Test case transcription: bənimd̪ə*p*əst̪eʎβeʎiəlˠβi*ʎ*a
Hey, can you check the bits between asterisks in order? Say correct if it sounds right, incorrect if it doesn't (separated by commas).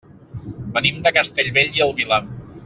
incorrect, incorrect